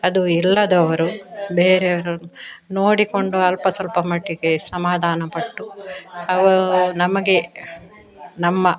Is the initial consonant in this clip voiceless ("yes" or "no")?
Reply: no